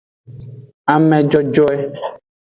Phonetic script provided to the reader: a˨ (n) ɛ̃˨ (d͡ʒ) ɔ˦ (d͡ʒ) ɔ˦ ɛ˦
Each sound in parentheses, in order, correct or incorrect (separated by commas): incorrect, correct, correct